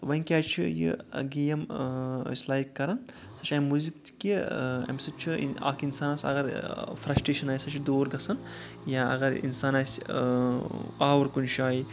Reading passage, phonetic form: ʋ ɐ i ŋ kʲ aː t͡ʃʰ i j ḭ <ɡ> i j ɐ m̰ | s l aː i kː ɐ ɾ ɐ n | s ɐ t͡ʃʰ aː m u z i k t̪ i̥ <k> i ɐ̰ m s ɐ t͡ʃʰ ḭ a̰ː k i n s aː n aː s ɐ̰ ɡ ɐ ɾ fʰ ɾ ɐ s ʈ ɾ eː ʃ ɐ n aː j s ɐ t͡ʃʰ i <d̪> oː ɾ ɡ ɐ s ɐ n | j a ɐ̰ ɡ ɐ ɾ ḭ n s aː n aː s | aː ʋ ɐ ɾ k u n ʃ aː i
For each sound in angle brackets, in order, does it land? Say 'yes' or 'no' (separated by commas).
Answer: yes, yes, yes